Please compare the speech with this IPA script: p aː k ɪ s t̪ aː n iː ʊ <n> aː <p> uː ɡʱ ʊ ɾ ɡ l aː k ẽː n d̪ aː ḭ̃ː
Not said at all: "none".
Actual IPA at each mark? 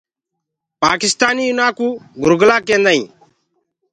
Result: n, k

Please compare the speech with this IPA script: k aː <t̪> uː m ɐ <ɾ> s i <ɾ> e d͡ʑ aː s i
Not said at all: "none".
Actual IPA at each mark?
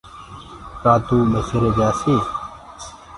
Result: t̪, none, ɾ

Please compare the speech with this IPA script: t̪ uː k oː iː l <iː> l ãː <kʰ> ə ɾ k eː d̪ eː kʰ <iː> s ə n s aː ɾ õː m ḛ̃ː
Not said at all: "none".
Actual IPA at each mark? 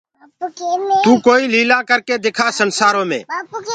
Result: iː, k, aː

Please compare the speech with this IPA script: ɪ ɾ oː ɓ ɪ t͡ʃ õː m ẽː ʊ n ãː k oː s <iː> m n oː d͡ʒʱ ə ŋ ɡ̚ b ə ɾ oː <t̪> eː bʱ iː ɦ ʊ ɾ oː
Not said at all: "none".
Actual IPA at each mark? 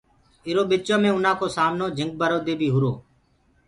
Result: aː, d̪

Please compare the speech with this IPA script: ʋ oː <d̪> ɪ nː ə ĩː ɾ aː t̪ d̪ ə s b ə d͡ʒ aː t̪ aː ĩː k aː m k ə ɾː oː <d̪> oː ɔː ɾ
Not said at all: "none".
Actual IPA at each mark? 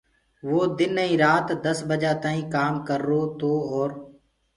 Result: d̪, t̪

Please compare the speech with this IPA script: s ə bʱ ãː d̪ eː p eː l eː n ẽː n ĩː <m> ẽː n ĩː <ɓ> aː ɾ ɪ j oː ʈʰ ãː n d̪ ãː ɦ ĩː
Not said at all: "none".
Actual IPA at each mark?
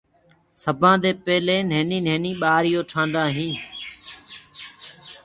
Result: n, ɓ

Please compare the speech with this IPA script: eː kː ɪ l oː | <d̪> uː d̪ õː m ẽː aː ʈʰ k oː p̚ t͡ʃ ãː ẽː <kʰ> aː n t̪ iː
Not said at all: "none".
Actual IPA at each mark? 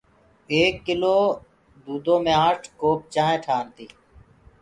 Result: d̪, ʈʰ

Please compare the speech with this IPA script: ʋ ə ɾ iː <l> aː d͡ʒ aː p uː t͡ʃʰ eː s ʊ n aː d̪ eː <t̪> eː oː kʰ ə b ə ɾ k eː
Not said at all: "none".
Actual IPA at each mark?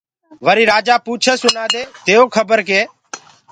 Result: ɾ, t̪

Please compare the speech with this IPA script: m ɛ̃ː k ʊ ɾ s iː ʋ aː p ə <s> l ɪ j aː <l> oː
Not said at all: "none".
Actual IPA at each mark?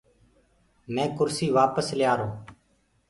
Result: s, ɾ

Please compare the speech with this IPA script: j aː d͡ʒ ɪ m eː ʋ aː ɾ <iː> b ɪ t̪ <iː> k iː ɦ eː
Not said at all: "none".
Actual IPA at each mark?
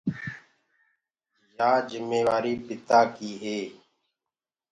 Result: iː, aː

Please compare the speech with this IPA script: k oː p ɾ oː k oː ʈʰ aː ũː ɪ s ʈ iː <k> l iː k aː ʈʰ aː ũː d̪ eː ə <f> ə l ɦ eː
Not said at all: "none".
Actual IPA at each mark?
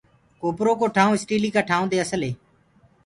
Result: none, s

